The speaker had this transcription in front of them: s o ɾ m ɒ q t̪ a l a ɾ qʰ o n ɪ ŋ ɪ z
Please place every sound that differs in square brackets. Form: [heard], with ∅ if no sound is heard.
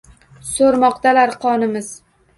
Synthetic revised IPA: s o ɾ m ɒ q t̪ a l a ɾ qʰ [ɒ] n ɪ [m] ɪ z